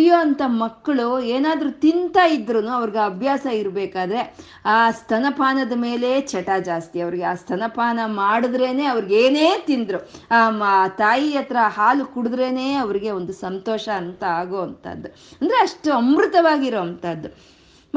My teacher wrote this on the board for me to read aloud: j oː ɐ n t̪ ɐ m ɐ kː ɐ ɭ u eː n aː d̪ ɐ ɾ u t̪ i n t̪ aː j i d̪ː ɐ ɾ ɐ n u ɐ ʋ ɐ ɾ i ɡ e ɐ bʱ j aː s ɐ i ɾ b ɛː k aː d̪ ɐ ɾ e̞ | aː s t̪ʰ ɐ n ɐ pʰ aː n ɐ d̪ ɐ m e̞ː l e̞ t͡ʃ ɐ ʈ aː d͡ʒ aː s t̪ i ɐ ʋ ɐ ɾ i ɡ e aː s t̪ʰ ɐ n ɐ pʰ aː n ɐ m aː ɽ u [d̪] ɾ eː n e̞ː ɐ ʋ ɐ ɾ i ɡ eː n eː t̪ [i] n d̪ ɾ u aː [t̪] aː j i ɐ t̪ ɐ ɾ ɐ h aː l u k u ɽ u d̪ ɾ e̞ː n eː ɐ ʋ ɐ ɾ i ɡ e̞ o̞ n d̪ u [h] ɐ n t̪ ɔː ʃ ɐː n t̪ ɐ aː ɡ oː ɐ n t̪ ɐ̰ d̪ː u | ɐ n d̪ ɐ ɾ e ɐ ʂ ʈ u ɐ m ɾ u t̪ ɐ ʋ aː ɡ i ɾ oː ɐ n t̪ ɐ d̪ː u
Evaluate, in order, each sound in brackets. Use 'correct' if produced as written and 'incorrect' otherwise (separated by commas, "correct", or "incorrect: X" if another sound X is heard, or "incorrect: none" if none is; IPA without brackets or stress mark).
correct, correct, correct, incorrect: s